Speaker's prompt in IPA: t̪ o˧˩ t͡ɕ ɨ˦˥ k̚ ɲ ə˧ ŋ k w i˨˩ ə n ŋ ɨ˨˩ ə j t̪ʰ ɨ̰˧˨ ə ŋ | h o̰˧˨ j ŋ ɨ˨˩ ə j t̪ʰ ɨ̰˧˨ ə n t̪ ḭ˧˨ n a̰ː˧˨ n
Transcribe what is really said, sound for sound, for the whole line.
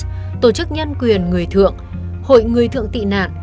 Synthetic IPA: t̪ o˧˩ t͡ɕ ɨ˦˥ k̚ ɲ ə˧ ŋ k w i˨˩ ə n ŋ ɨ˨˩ ə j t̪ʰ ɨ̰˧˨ ə ŋ | h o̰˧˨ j ŋ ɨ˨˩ ə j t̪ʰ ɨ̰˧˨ ə ŋ t̪ ḭ˧˨ n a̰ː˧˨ n